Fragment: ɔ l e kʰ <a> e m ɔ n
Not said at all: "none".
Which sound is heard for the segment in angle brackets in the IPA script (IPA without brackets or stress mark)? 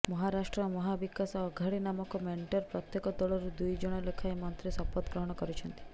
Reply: a